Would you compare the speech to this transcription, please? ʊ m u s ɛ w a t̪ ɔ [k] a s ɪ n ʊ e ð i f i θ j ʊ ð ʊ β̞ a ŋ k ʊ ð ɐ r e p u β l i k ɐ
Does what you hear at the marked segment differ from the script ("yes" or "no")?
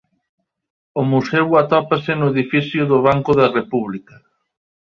yes